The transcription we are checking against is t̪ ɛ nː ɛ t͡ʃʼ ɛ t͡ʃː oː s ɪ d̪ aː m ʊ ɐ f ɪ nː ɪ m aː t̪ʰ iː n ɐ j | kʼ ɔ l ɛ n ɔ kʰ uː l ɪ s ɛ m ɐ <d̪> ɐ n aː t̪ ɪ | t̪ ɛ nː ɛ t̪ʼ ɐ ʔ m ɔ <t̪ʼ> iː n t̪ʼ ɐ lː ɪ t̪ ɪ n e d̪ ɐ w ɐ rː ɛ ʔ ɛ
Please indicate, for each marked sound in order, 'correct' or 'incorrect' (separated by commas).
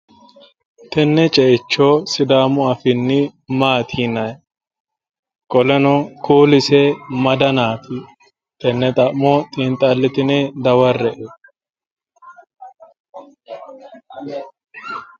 correct, correct